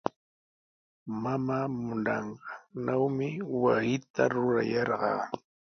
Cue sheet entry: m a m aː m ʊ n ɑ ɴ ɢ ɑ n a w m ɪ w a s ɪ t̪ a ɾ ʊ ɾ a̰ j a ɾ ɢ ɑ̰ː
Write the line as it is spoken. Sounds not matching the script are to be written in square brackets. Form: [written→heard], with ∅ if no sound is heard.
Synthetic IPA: m a m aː m ʊ n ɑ ɴ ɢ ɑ n a w m ɪ w a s ɪ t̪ a ɾ ʊ ɾ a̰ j [a→ɑ] ɾ ɢ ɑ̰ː